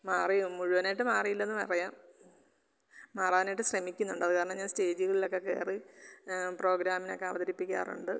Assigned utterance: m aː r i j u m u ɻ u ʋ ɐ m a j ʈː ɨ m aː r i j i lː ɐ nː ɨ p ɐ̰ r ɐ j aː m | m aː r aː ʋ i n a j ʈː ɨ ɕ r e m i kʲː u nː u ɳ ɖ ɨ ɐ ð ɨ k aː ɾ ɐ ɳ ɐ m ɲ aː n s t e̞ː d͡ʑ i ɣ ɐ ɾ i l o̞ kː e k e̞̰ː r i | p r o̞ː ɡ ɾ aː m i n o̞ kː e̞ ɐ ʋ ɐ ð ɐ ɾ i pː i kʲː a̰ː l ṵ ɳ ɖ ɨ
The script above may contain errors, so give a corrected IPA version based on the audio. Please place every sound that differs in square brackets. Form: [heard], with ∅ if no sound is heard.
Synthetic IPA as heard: m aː r i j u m u ɻ u ʋ ɐ [n] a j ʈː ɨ m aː r i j i lː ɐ nː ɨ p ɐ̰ r ɐ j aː m | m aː r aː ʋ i n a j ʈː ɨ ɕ r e m i kʲː u nː u ɳ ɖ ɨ ɐ ð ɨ k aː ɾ ɐ ɳ ɐ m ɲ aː n s t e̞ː d͡ʑ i ɣ ɐ [ɭ] i l o̞ kː e k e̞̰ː r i | p r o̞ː ɡ ɾ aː m i n o̞ kː e̞ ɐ ʋ ɐ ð ɐ ɾ i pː i kʲː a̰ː [r] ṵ ɳ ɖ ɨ